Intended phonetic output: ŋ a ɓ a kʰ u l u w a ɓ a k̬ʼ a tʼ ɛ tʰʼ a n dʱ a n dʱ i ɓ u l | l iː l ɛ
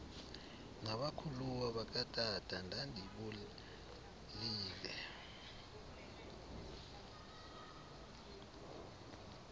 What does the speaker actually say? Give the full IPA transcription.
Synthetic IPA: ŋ a ɓ a kʰ u l u w a ɓ a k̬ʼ a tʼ a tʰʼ a n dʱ a n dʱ i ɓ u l | l iː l ɛ